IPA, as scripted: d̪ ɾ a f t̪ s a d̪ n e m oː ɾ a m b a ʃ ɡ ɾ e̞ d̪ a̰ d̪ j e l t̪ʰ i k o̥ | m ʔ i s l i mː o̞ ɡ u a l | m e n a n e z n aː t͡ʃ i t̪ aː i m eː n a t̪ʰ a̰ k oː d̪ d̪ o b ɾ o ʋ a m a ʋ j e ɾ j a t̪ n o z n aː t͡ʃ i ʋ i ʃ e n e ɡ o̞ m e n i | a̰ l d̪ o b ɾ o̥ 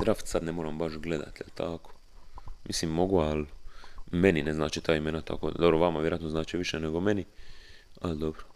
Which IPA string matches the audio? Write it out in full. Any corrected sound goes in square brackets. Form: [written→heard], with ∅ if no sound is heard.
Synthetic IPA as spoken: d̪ ɾ a f t̪ s a d̪ n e m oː ɾ a m b a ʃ ɡ [ɾ→l] e̞ d̪ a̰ [d̪→t̪] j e l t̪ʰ [i→a] k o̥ | m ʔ i s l i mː o̞ ɡ u a l | m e n [a→i] n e z n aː t͡ʃ i t̪ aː i m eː n a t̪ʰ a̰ k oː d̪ d̪ o b ɾ o ʋ a m a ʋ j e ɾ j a t̪ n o z n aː t͡ʃ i ʋ i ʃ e n e ɡ o̞ m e n i | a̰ l d̪ o b ɾ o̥